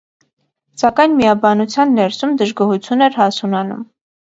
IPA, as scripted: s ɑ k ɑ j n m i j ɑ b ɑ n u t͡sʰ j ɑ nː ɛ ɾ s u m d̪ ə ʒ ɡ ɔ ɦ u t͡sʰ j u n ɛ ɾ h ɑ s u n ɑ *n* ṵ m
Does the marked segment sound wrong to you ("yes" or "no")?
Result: no